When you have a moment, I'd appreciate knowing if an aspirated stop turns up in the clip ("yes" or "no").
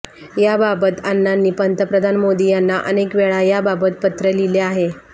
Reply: no